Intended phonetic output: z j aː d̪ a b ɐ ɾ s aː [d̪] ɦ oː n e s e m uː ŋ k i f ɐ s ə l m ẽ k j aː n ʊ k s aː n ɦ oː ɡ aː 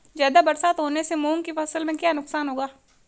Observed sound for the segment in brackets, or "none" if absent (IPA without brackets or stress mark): t̪